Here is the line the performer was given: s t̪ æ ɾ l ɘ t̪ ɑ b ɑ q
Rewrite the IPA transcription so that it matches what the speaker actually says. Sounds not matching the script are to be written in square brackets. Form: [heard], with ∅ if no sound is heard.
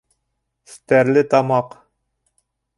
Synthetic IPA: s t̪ æ ɾ l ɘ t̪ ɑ [m] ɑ q